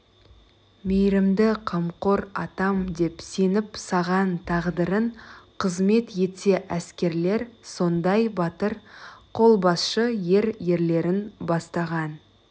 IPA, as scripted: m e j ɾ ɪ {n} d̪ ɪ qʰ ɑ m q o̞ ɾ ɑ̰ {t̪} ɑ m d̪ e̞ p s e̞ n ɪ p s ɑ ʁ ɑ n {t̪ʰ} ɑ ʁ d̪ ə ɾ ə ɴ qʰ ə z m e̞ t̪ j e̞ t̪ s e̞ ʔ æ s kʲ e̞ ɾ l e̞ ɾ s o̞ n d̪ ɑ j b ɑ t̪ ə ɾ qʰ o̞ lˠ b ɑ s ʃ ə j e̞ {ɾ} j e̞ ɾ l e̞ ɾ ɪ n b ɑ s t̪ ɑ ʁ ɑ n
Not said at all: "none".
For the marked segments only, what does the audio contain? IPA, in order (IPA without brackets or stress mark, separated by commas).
m, t̪, t̪ʰ, ɾ